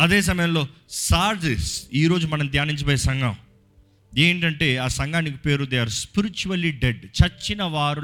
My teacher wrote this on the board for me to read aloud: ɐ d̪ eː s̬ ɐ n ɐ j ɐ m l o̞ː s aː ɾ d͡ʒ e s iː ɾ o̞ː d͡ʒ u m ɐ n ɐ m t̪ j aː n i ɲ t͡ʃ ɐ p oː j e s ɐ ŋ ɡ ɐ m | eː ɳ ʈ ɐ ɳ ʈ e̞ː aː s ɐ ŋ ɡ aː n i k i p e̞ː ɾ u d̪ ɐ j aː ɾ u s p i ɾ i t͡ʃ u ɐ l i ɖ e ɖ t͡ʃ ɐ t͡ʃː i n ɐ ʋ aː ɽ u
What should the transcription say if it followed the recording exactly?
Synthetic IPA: ɐ d̪ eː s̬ ɐ m ɐ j ɐ m l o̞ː s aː ɾ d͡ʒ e s iː ɾ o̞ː d͡ʒ u m ɐ n ɐ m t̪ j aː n i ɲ t͡ʃ ɐ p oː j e s ɐ ŋ ɡ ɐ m | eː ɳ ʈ ɐ ɳ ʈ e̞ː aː s ɐ ŋ ɡ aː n i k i p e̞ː ɾ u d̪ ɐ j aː ɾ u s p i ɾ i t͡ʃ u ɐ l i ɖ e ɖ t͡ʃ ɐ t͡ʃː i n ɐ ʋ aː ɾ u